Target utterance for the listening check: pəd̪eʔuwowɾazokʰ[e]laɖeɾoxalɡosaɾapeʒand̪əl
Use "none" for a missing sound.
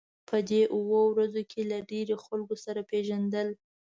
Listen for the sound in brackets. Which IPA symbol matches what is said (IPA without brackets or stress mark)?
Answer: e